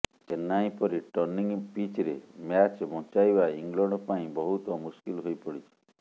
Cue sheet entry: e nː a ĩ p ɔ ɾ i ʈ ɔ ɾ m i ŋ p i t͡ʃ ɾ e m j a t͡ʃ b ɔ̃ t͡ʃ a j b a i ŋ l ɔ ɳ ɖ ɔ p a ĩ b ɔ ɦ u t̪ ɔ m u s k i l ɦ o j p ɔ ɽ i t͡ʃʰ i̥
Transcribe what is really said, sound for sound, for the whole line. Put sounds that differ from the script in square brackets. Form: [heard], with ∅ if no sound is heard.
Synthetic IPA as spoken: e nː a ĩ p ɔ ɾ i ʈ ɔ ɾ [n] i ŋ p i t͡ʃ ɾ e m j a t͡ʃ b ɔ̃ t͡ʃ a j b a i ŋ l ɔ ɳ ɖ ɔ p a ĩ b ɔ ɦ u t̪ ɔ m u s k i l ɦ o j p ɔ ɽ i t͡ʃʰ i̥